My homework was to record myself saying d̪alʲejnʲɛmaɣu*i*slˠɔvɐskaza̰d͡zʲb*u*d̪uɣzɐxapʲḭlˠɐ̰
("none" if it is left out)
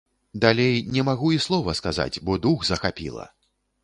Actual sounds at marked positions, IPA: i, ɔ

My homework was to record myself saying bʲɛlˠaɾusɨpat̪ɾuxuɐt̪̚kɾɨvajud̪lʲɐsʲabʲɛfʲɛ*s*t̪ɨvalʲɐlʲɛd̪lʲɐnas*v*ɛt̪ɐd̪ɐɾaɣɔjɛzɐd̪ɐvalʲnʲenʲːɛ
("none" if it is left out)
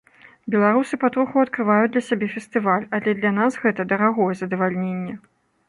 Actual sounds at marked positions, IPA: s, ɣ

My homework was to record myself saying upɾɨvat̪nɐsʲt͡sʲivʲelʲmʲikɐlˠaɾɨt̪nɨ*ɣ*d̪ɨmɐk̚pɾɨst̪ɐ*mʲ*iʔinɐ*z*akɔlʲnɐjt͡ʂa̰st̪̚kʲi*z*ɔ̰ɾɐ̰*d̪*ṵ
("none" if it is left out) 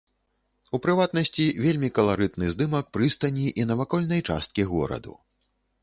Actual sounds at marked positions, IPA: z, nʲ, v, ɣ, d̪

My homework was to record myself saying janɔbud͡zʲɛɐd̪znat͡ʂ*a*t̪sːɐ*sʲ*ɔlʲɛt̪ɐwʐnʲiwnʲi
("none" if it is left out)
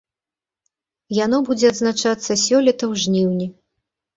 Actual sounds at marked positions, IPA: a, sʲ

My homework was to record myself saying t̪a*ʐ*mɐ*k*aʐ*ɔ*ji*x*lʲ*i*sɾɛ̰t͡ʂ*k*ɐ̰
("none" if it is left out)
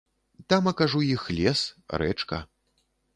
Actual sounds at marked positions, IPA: none, k, u, x, ɛ, k

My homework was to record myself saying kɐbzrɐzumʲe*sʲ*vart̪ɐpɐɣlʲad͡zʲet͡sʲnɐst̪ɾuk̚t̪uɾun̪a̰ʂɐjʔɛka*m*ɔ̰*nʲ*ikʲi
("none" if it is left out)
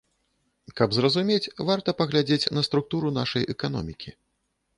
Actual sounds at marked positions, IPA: t͡sʲ, n, mʲ

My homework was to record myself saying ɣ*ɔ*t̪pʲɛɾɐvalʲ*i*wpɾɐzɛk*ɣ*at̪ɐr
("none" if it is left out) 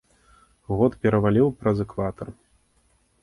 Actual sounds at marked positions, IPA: ɔ, i, v

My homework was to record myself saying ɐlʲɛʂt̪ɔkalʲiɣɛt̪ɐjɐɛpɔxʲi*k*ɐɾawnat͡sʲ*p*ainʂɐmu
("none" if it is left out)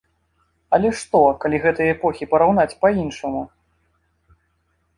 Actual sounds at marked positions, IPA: p, p

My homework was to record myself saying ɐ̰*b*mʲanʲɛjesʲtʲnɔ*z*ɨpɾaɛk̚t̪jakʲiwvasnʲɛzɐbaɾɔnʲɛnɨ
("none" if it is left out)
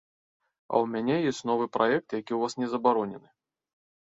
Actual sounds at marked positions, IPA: w, v

